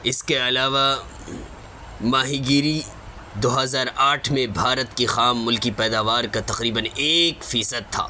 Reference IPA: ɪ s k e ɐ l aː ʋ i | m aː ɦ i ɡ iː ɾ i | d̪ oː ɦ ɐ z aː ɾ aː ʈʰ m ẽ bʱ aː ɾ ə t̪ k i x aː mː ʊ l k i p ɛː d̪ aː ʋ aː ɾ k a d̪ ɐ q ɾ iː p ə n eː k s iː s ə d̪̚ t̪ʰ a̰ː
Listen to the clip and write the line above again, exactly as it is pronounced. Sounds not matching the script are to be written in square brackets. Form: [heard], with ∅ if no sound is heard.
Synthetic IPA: ɪ s k e ɐ l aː ʋ [a] | m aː ɦ i ɡ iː ɾ i | d̪ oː ɦ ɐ z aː ɾ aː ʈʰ m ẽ bʱ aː ɾ ə t̪ k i x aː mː ʊ l k i p ɛː d̪ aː ʋ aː ɾ k a [t̪] ɐ q ɾ iː [b] ə n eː k [f] iː s ə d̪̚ t̪ʰ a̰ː

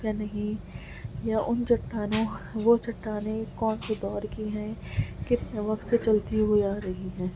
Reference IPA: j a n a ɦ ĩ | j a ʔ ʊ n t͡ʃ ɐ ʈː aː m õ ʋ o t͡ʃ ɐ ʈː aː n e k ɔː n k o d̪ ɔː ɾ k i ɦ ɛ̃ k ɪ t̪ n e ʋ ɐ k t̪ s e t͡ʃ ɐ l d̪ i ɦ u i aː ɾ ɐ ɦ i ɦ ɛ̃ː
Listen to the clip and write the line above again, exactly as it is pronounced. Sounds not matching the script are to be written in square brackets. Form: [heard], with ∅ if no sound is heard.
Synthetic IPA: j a n [ɐ] ɦ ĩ | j a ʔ ʊ n t͡ʃ ɐ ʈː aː [n] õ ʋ o t͡ʃ ɐ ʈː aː n e k ɔː n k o d̪ ɔː ɾ k i ɦ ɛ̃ k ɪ t̪ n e ʋ ɐ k t̪ s e t͡ʃ ɐ l [t̪] i ɦ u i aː ɾ ɐ ɦ i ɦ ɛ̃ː

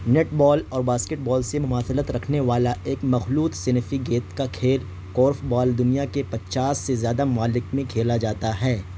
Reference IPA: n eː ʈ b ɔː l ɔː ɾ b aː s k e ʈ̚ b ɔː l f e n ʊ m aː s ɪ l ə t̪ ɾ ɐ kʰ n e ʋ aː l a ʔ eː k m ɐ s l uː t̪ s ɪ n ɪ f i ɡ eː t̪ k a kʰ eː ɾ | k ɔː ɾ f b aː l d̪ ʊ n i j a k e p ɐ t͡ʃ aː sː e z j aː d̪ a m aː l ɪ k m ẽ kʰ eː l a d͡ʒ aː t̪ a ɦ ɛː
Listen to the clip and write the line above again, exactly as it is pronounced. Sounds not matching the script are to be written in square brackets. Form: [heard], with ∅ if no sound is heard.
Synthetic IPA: n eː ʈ b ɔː l ɔː ɾ b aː s k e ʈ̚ b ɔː l [s] e [m] ʊ m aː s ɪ l ə t̪ ɾ ɐ kʰ n e ʋ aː l a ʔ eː k m ɐ [x] l uː t̪ s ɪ n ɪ f i ɡ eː t̪ k a kʰ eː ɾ | k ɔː ɾ f b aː l d̪ ʊ n i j a k e p ɐ t͡ʃ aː sː e z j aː d̪ a m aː l ɪ k m ẽ kʰ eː l a d͡ʒ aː t̪ a ɦ ɛː

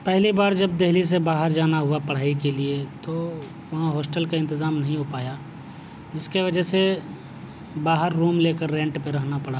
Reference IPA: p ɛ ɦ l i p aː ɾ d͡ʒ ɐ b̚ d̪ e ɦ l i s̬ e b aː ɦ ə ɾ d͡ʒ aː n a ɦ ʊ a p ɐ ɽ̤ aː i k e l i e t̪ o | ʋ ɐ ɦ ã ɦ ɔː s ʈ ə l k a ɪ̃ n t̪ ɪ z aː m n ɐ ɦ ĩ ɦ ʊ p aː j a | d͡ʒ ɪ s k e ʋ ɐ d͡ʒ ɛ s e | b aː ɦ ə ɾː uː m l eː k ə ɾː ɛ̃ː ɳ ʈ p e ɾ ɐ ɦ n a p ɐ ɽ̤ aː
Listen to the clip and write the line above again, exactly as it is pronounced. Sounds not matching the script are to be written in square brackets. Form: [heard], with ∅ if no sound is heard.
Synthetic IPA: p ɛ ɦ l i [b] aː ɾ d͡ʒ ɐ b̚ d̪ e ɦ l i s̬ e b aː ɦ ə ɾ d͡ʒ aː n a ɦ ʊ a p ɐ ɽ̤ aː i k e l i e t̪ o | ʋ ɐ ɦ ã ɦ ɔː s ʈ ə l k a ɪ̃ n t̪ ɪ z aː m n ɐ ɦ ĩ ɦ ʊ p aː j a | d͡ʒ ɪ s k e ʋ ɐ d͡ʒ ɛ s e | b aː ɦ ə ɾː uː m l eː k ə ɾː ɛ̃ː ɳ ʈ p e ɾ ɐ ɦ n a p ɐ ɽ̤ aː

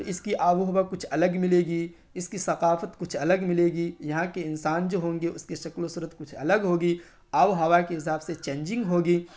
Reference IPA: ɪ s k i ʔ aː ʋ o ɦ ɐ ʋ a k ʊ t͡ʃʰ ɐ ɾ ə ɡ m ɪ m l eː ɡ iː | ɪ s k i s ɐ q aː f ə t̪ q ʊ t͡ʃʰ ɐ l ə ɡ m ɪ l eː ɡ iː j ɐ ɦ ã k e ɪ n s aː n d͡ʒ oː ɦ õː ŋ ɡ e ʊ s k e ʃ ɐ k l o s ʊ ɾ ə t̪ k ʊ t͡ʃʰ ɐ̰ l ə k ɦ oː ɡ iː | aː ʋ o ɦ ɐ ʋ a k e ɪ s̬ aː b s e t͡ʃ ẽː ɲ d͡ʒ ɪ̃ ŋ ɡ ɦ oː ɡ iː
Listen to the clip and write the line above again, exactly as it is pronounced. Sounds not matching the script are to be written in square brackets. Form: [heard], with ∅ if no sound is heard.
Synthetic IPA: ɪ s k i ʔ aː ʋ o ɦ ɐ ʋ a k ʊ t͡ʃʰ ɐ [l] ə ɡ m ɪ [∅] l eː ɡ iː | ɪ s k i s ɐ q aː f ə t̪ [k] ʊ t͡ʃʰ ɐ l ə ɡ m ɪ l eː ɡ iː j ɐ ɦ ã k e ɪ n s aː n d͡ʒ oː ɦ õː ŋ ɡ e ʊ s k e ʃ ɐ k l o s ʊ ɾ ə t̪ k ʊ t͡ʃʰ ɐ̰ l ə [ɡ] ɦ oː ɡ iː | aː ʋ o ɦ ɐ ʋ a k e ɪ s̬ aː b s e t͡ʃ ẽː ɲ d͡ʒ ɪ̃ ŋ ɡ ɦ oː ɡ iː

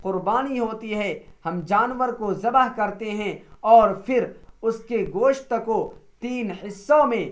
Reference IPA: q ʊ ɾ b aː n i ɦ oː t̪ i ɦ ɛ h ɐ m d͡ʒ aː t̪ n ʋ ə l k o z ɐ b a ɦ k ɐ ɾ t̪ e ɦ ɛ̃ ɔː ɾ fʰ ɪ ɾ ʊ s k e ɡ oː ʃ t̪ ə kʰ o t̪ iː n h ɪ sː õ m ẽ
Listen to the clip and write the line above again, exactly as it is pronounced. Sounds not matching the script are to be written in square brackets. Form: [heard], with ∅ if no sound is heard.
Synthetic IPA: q ʊ ɾ b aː n i ɦ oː t̪ i ɦ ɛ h ɐ m d͡ʒ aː [∅] n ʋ ə [ɾ] k o z ɐ b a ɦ k ɐ ɾ t̪ e ɦ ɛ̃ ɔː ɾ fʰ ɪ ɾ ʊ s k e ɡ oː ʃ t̪ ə [k] o t̪ iː n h ɪ sː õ m ẽ

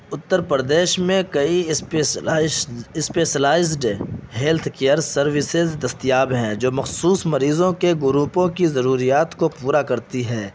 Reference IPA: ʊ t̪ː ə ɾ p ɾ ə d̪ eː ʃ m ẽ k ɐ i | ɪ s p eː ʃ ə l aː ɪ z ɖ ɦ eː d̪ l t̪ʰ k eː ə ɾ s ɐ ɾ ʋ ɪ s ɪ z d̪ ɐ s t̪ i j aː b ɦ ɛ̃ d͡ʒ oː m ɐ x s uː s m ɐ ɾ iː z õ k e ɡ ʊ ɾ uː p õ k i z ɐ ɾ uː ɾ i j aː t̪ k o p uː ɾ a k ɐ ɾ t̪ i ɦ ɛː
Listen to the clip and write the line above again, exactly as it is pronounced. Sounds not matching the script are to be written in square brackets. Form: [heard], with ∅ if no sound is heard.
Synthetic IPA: ʊ t̪ː ə ɾ p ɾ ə d̪ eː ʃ m ẽ k ɐ i | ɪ s p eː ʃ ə l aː ɪ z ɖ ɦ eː [∅] l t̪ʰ k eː ə ɾ s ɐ ɾ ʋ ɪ s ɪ z d̪ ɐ s t̪ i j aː b ɦ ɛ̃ d͡ʒ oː m ɐ x s uː s m ɐ ɾ iː z õ k e ɡ ʊ ɾ uː p õ k i z ɐ ɾ uː ɾ i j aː t̪ k o p uː ɾ a k ɐ ɾ t̪ i ɦ ɛː

